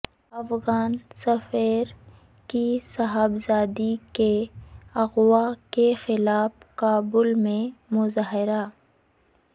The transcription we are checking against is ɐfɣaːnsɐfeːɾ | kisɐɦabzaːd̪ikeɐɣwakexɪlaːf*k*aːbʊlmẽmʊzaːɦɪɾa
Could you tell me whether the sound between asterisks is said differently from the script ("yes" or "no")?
no